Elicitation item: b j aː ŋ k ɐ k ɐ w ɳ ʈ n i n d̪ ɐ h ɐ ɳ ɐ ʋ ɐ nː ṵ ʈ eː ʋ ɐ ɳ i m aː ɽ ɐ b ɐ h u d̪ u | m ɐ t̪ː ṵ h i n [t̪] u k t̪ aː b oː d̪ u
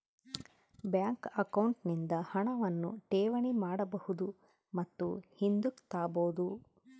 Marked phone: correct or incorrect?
incorrect